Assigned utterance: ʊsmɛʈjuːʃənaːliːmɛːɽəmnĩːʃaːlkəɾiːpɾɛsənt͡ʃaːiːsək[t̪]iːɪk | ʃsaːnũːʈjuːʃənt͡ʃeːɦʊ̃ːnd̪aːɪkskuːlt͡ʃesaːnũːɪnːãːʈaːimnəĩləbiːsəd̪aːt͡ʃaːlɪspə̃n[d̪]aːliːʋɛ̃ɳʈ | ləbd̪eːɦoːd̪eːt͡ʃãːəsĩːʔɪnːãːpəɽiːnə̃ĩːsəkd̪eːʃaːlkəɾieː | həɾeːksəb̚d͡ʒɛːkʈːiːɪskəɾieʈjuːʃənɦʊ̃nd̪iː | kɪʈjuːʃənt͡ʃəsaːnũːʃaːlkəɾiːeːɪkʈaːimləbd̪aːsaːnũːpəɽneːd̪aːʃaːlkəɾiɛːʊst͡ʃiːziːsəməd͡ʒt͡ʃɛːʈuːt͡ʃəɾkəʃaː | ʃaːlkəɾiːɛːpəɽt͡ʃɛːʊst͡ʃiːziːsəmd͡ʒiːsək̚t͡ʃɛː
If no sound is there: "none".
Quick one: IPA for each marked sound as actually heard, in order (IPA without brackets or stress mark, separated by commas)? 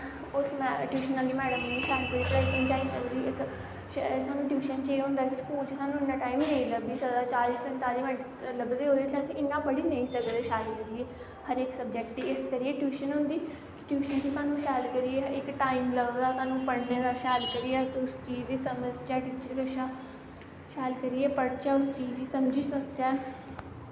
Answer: d̪, t̪